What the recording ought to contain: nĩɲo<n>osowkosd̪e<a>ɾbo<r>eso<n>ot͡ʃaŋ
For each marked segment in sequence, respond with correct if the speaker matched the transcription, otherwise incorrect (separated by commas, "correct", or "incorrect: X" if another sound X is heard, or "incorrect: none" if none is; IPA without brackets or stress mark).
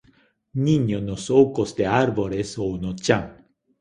correct, correct, incorrect: ɾ, correct